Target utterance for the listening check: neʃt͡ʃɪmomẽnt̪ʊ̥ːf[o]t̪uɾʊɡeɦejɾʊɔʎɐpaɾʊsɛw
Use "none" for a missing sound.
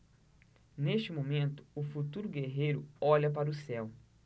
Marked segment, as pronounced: u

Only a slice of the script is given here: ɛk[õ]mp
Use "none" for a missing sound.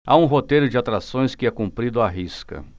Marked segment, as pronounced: ũ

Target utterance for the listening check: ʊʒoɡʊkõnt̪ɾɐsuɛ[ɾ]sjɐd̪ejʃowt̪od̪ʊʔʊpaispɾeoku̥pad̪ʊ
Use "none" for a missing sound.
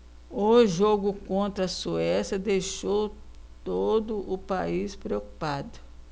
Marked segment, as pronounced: none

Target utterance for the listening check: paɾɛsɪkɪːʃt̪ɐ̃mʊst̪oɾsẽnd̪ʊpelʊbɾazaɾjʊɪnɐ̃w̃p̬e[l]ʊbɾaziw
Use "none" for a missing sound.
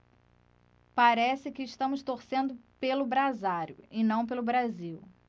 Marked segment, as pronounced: l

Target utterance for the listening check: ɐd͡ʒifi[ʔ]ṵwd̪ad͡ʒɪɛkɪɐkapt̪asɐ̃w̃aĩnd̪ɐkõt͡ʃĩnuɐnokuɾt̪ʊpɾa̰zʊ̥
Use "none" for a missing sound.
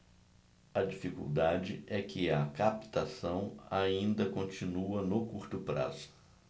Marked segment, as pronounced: k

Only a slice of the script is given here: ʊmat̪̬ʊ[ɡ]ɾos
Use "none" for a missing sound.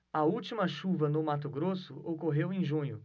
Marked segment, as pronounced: ɡ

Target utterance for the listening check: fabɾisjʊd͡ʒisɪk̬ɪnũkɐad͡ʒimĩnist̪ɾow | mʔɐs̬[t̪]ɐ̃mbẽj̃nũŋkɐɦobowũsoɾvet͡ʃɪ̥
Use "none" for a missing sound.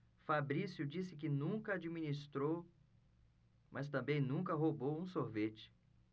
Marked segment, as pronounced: t̪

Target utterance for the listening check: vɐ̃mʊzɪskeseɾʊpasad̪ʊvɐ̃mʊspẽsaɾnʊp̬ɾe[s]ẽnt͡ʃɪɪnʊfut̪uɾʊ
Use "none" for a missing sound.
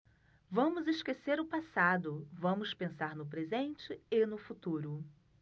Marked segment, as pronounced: z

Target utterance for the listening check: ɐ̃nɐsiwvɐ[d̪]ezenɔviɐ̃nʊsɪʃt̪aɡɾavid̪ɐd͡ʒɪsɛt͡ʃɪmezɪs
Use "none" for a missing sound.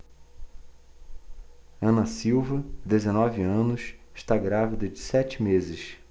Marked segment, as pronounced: d̪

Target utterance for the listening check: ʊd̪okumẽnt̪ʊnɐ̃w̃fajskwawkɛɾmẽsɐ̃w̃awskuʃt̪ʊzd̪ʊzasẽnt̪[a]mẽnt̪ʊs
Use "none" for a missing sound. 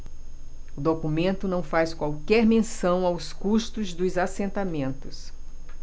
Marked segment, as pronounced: a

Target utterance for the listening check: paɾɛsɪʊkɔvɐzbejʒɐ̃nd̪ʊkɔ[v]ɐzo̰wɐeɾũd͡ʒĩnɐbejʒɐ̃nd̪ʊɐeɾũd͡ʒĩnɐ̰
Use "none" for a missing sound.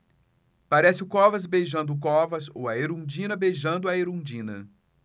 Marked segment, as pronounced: v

